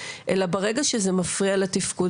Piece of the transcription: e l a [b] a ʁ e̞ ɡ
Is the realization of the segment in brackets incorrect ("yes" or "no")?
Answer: no